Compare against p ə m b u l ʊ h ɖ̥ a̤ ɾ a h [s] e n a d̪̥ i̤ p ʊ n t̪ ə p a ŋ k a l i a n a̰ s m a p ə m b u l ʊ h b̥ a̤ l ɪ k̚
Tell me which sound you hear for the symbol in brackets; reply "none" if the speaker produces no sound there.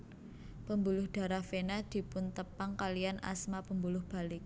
f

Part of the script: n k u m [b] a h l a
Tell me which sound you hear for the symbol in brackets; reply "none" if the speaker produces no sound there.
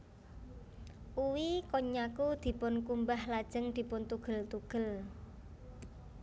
b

